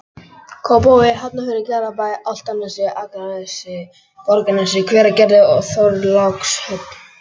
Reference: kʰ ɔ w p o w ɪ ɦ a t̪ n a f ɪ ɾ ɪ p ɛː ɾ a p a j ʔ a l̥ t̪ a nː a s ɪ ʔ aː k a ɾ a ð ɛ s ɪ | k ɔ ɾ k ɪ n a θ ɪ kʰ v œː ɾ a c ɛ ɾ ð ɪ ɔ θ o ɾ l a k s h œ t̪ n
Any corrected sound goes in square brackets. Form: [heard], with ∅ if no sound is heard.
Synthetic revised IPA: kʰ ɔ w p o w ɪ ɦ a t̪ n a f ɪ ɾ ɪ [c] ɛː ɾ a p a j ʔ a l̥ t̪ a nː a s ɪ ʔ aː k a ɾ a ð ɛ s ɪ | k ɔ ɾ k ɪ n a [s] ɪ kʰ v [ɛː] ɾ a c ɛ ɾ ð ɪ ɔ θ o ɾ l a k s h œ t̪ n